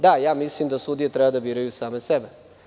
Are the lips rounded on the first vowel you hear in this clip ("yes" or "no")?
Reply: no